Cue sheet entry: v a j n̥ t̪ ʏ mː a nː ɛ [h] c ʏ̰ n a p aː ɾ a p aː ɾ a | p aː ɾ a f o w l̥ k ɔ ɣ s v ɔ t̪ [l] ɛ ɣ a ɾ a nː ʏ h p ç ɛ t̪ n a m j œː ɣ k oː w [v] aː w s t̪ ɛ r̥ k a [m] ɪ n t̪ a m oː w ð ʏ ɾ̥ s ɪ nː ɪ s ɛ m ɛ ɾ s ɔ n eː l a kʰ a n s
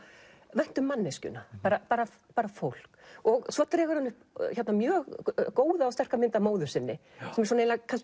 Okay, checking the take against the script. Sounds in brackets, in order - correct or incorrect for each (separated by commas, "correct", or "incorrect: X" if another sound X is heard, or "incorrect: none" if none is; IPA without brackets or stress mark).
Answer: incorrect: s, incorrect: ɾ, incorrect: ð, correct